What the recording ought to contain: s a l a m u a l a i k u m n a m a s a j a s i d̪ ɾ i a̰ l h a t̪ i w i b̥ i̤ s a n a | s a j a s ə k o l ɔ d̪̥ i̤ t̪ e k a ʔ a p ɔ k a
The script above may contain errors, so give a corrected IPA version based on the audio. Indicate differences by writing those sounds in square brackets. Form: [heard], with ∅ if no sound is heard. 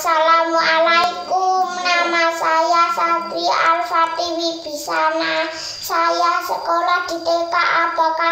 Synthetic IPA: s a l a m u a l a i k u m n a m a s a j a s [a] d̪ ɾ i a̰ l [f] a t̪ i w i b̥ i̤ s a n a | s a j a s ə k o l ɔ d̪̥ i̤ t̪ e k a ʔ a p ɔ k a